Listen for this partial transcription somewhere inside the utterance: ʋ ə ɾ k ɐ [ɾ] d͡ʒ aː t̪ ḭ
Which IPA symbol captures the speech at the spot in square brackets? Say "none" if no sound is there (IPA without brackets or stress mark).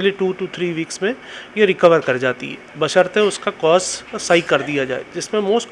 ɾ